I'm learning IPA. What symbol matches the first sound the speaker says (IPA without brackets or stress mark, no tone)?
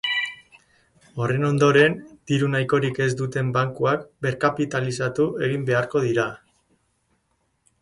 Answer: o̞